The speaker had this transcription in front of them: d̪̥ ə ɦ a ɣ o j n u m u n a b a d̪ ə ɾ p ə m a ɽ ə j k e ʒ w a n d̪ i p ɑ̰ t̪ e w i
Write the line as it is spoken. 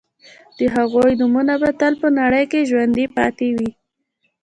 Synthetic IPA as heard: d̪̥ ə ɦ a ɣ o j n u m u n a b a t̪ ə l p ə n a ɽ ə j k e ʒ w a n d̪ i p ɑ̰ t̪ e w i